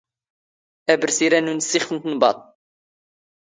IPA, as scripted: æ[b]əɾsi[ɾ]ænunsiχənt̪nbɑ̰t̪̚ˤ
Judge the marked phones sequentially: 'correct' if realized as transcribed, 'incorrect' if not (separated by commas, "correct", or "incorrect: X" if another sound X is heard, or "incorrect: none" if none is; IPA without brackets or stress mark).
correct, correct